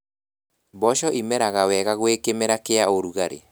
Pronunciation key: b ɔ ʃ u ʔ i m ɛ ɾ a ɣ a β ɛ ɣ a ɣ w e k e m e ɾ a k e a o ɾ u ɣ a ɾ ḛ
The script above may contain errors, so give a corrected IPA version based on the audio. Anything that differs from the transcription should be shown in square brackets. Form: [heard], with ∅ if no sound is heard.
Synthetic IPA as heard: b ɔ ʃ [ɔ] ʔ i m ɛ ɾ a ɣ a [w] ɛ ɣ a ɣ w e k e m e ɾ a k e a o ɾ u ɣ a ɾ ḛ

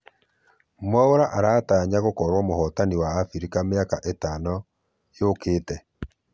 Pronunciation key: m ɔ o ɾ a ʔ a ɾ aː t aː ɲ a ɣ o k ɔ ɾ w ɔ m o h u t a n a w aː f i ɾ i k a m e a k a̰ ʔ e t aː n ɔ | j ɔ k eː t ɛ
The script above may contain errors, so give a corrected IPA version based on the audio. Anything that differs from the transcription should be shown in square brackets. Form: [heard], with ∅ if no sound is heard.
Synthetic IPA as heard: m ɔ o ɾ a ʔ a ɾ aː t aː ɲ a ɣ o k ɔ ɾ w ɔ m o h [ɔ] t a n [i] w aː f i ɾ i k a m e a k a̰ ʔ e t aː n ɔ | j [o] k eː t ɛ

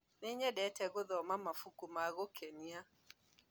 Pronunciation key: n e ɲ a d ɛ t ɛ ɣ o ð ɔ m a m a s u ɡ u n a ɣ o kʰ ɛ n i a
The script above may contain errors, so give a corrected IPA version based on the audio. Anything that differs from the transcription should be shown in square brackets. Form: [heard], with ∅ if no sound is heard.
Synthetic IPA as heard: n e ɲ [ɛ] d ɛ t ɛ ɣ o ð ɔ m a m a [f] u [k] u [m] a ɣ o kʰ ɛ n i a

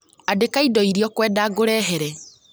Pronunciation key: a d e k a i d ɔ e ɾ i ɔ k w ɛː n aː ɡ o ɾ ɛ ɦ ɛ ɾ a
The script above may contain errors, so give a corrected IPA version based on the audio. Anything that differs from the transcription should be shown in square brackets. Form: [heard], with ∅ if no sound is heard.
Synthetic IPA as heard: a d e k a i d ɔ [i] ɾ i ɔ k w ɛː [d] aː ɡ o ɾ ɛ ɦ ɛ ɾ [ɛ]

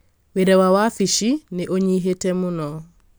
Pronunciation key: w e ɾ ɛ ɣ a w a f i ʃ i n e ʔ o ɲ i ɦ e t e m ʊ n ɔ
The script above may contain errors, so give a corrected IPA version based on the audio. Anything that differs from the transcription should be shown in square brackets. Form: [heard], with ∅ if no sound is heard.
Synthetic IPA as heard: w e ɾ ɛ [w] a w a f i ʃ i n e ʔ o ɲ i ɦ e t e m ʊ n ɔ

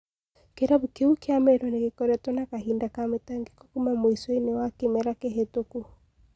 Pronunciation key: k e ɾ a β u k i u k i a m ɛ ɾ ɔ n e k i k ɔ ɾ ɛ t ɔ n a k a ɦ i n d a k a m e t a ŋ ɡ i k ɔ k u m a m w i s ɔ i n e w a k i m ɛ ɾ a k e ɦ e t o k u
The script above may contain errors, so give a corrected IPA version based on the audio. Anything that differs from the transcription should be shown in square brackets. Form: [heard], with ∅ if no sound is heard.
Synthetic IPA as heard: k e ɾ a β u k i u k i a m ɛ ɾ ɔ n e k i k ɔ ɾ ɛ t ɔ n a k a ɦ i n d a k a m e t a ŋ ɡ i k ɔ k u m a m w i s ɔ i n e w a k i m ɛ ɾ a k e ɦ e t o k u

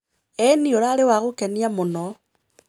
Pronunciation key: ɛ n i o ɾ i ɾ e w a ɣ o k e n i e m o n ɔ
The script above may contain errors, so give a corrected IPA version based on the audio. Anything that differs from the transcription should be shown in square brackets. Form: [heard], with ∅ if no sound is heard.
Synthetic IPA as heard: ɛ n i o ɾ [a] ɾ e w a ɣ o k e n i [a] m o n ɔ

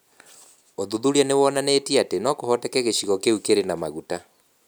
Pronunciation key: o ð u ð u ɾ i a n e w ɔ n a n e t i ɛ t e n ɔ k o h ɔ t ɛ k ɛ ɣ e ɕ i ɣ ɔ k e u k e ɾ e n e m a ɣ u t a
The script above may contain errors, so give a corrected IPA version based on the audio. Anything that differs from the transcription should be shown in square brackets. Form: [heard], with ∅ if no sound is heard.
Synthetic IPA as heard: o ð u ð u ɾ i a n e w ɔ n a n e t i [a] t e n ɔ k o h ɔ t ɛ k ɛ ɣ e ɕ i ɣ ɔ k e u k e ɾ e n [a] m a ɣ u t a

